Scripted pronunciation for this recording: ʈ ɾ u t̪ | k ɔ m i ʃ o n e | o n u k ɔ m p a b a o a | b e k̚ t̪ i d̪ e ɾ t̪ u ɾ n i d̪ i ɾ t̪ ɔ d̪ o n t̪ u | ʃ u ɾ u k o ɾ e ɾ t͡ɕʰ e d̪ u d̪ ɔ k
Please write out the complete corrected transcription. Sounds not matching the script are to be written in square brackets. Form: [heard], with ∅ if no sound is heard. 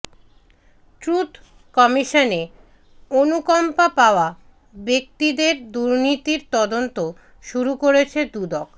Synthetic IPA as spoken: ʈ ɾ u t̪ | k ɔ m i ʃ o n e | o n u k ɔ m p a [p] a o a | b e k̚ t̪ i d̪ e ɾ [d̪] u ɾ n i [t̪] i ɾ t̪ ɔ d̪ o n t̪ [o] | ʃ u ɾ u k o ɾ e [∅] t͡ɕʰ e d̪ u d̪ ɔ k

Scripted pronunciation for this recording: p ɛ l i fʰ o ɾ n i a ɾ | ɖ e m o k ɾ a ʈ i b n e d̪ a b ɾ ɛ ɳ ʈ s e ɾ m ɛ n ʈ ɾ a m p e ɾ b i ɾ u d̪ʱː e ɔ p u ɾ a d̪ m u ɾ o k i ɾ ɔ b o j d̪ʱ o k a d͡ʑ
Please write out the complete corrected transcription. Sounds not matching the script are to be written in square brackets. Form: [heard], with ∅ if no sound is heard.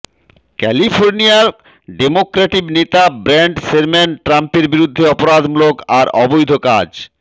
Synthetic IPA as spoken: [k] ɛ l i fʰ o ɾ n i a ɾ | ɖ e m o k ɾ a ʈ i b n e [t̪] a b ɾ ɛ ɳ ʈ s e ɾ m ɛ n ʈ ɾ a m p e ɾ b i ɾ u d̪ʱː e ɔ p [o] ɾ a d̪ m u [l] o k [a] ɾ ɔ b o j d̪ʱ o k a d͡ʑ

